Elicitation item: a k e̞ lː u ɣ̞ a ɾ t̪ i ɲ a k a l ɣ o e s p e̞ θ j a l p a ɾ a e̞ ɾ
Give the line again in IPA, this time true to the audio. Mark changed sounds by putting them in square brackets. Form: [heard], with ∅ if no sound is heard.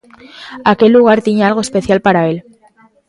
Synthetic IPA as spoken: a k e̞ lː u ɣ̞ a ɾ t̪ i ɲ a [∅] a l ɣ o e s p e̞ θ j a l p a ɾ a e̞ [l]